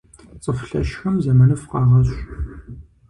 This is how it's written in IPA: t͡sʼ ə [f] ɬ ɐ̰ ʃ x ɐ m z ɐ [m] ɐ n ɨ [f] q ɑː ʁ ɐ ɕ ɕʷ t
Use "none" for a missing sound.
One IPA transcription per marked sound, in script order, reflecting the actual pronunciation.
f, m, f

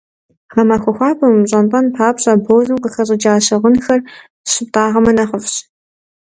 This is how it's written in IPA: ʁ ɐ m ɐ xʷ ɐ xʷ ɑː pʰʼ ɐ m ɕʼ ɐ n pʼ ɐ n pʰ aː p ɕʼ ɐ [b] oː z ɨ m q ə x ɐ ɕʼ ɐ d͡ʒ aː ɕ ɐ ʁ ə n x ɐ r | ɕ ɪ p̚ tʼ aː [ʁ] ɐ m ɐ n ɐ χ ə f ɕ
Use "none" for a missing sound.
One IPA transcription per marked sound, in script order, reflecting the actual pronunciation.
b, ʁ

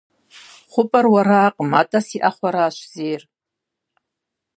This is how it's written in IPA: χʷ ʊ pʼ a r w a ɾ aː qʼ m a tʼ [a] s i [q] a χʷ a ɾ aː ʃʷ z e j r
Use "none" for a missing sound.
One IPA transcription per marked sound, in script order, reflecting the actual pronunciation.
a, ʔ

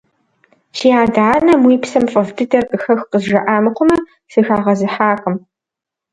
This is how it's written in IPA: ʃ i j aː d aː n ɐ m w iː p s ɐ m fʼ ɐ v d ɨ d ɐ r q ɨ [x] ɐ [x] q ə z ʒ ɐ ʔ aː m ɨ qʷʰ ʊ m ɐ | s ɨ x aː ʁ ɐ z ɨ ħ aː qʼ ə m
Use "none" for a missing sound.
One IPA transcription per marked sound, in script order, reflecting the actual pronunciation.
x, x

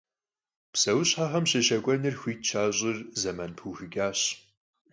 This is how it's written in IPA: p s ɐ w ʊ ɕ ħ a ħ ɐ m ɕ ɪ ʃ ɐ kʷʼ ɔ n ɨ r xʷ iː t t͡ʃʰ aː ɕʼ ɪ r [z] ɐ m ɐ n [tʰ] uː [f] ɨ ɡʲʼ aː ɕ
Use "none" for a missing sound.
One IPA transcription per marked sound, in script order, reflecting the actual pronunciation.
z, pʰ, x

